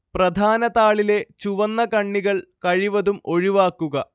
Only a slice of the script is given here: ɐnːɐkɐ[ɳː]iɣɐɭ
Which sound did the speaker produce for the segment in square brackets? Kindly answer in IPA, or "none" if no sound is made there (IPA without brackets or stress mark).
ɳː